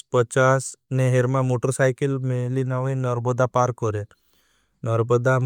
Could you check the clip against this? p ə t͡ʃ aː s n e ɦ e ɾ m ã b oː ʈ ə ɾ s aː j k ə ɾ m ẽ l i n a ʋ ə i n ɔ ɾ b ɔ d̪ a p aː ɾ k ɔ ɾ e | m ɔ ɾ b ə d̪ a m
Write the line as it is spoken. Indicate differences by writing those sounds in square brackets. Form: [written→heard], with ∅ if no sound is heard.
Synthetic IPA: p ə t͡ʃ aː s n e ɦ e ɾ m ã [b→m] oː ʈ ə ɾ s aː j k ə [ɾ→l] m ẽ l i n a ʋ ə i n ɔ ɾ b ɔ d̪ a p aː ɾ k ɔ ɾ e | [m→n] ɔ ɾ b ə d̪ a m